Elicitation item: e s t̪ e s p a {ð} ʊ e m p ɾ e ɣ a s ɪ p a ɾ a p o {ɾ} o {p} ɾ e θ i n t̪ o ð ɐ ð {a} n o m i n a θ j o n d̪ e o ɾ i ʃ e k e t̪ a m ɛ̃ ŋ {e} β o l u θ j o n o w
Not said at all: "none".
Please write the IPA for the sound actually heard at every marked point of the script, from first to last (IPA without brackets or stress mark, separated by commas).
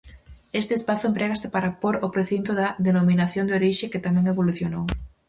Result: θ, ɾ, p, e, e